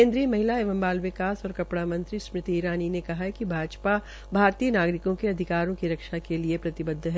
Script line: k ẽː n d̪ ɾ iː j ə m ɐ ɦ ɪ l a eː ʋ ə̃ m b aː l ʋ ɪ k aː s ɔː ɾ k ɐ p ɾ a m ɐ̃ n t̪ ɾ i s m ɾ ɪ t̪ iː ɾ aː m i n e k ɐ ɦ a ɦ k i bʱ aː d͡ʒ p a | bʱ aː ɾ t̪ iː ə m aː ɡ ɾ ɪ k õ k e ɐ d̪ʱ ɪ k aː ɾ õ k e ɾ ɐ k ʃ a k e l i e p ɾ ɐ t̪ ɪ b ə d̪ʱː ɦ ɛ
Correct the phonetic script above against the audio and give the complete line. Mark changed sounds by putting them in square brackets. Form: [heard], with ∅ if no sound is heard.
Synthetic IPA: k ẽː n d̪ ɾ [i] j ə m ɐ ɦ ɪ l a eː ʋ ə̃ m b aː l ʋ ɪ k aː s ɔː ɾ k ɐ p [ɽ] a m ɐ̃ n t̪ ɾ i s m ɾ ɪ t̪ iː ɾ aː [n] i n e k ɐ ɦ a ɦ k i bʱ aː d͡ʒ p a | bʱ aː ɾ t̪ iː ə [n] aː ɡ ɾ ɪ k õ k e ɐ d̪ʱ ɪ k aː ɾ õ k [i] ɾ ɐ k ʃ a k e l i e p ɾ ɐ t̪ ɪ b ə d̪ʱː ɦ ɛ